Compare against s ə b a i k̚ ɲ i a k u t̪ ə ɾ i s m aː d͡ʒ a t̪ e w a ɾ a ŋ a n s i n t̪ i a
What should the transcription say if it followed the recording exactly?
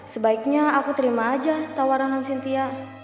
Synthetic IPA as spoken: s ə b a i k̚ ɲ a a k u t̪ ə ɾ i m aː d͡ʒ a t̪ a w a ɾ a n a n s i n t̪ i a